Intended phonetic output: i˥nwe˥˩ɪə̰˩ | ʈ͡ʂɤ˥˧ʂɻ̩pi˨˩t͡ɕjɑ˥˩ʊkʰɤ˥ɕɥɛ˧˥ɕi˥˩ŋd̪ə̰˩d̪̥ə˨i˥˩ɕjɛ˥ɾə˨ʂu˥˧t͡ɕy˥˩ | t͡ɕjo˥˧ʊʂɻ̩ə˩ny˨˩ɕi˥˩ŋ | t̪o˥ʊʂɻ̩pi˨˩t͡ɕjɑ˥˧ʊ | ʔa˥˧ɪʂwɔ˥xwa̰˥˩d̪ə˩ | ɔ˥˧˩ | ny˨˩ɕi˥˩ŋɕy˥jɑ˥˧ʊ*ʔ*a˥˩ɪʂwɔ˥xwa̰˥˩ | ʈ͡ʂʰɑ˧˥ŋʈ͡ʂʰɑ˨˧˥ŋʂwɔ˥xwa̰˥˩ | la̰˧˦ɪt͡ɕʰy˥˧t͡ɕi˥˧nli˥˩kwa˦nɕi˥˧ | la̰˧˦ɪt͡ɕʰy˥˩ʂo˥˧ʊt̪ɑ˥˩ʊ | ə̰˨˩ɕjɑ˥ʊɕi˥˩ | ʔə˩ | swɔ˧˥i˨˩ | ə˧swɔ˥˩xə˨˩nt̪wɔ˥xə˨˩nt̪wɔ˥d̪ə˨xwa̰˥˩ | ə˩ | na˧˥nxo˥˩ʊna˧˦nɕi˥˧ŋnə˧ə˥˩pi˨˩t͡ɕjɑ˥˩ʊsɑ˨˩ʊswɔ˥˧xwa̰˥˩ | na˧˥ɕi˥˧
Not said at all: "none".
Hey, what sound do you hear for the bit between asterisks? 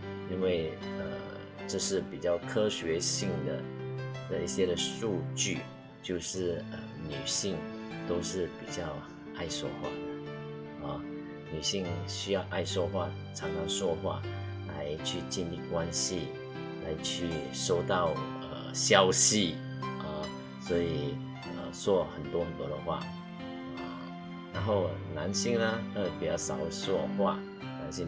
ʔ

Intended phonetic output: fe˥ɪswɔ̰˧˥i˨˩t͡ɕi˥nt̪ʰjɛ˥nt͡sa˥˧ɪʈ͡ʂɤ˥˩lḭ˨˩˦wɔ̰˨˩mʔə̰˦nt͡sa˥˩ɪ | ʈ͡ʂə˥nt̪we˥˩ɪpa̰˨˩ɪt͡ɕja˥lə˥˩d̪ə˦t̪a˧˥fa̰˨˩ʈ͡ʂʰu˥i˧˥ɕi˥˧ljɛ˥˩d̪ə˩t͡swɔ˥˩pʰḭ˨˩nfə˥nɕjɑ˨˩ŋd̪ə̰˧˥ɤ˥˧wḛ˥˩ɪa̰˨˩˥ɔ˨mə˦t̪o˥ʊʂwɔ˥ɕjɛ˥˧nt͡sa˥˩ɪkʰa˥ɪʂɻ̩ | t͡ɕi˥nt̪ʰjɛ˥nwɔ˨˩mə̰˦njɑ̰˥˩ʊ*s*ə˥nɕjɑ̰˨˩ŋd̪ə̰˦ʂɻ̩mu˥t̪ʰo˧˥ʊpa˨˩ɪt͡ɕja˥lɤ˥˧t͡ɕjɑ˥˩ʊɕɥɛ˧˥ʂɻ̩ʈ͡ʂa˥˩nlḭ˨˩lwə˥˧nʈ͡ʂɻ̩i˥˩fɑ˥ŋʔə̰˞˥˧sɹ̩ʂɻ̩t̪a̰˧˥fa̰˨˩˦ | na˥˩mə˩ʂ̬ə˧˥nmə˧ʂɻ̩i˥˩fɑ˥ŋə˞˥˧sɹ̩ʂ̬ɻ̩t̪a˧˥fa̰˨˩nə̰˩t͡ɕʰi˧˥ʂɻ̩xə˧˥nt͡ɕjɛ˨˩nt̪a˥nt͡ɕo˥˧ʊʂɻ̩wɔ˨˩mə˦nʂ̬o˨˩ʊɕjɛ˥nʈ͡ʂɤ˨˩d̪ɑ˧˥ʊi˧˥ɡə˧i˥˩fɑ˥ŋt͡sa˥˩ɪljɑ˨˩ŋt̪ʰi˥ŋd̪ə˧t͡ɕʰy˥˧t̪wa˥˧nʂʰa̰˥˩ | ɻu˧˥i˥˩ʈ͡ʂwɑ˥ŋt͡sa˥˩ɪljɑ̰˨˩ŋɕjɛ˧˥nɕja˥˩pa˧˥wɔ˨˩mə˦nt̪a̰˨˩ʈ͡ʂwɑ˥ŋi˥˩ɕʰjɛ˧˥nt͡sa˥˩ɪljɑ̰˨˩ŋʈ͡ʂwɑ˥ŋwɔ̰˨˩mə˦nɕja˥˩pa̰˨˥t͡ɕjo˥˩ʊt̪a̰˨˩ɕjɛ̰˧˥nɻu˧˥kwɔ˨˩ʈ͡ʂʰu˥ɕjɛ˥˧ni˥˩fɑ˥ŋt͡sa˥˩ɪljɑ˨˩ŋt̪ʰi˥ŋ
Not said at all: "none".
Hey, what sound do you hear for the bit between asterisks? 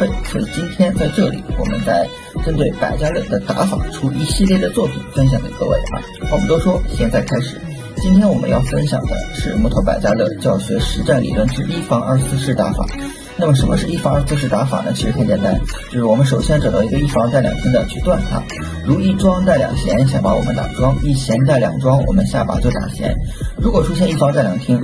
f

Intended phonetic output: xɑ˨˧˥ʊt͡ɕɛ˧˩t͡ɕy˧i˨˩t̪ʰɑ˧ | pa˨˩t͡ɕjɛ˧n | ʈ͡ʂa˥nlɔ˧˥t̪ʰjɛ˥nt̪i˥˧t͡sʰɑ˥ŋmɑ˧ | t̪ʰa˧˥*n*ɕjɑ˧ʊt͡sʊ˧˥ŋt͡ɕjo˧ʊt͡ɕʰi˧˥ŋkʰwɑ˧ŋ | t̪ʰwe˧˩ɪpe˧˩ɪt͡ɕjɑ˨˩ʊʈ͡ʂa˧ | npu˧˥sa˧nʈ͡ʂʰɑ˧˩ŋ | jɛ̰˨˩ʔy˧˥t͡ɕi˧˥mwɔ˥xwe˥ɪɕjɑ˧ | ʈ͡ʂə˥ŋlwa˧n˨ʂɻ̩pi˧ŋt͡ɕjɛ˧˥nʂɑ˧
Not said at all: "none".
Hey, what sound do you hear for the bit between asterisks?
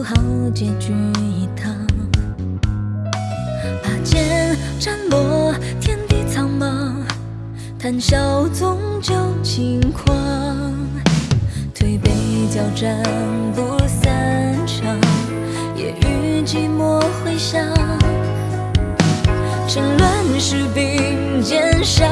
n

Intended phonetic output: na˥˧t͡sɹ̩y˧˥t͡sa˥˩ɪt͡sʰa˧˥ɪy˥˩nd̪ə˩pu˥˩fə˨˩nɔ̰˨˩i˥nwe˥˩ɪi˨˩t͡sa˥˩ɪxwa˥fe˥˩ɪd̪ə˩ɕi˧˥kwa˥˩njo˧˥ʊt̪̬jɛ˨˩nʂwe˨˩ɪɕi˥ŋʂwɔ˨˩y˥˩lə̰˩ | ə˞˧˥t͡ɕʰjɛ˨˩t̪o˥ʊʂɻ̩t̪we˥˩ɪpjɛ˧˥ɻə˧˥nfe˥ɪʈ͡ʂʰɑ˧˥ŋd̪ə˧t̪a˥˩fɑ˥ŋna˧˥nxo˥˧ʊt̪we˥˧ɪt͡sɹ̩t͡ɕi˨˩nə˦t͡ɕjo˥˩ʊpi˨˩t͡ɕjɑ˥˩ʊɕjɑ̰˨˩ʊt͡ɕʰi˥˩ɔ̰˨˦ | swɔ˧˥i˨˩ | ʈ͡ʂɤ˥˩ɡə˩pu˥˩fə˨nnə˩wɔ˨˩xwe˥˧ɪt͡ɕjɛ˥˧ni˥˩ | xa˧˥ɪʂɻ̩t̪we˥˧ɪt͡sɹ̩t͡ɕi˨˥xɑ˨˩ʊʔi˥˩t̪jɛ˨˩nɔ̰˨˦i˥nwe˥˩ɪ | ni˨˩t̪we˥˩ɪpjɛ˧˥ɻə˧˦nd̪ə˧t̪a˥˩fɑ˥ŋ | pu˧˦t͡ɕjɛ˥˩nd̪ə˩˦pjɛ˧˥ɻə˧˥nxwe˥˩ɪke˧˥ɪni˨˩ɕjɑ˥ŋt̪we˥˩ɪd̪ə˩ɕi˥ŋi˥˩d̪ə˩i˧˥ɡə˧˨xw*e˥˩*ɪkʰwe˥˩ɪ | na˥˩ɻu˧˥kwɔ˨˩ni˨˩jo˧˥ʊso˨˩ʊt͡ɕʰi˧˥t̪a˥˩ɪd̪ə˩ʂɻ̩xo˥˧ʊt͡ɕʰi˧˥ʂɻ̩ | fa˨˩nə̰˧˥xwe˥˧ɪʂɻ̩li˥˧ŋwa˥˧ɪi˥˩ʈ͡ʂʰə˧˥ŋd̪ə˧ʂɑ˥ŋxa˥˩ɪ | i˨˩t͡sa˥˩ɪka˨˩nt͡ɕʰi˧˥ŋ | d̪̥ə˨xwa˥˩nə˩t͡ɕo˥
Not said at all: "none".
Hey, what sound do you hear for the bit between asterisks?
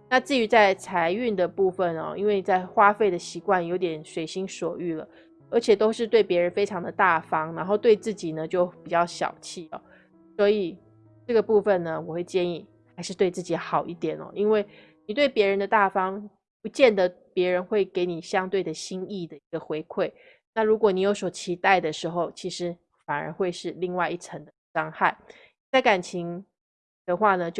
e˧˥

